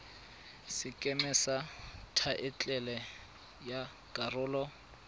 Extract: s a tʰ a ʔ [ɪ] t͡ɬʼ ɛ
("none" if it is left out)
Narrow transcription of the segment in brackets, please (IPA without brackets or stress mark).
ɪ